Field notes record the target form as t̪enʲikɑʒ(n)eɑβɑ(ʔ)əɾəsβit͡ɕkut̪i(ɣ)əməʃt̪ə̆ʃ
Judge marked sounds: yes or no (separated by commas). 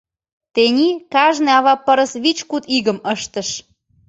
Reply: yes, no, yes